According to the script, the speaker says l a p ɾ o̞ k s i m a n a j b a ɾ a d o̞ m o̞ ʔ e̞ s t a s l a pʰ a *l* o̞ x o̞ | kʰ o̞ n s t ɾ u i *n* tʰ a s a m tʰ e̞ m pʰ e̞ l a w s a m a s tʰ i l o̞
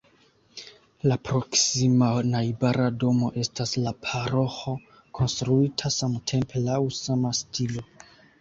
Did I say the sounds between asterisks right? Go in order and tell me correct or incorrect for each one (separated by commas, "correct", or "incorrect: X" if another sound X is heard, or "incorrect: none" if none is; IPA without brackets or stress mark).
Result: incorrect: ɾ, incorrect: none